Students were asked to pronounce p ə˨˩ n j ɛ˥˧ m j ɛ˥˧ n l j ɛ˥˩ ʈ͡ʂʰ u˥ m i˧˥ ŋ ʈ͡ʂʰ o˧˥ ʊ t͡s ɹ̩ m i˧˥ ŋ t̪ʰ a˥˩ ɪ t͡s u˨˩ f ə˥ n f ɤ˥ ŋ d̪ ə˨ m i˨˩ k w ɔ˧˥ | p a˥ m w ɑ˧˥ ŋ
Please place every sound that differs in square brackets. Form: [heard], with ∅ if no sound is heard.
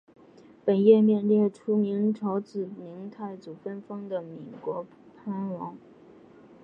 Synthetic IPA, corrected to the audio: p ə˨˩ n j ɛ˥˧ m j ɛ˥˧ n l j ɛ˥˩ ʈ͡ʂʰ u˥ m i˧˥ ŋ ʈ͡ʂʰ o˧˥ ʊ t͡s ɹ̩ m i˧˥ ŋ t̪ʰ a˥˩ ɪ t͡s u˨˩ f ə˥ n f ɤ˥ ŋ d̪ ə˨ m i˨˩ k w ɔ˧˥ | [pʰ] a˥ [n] w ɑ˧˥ ŋ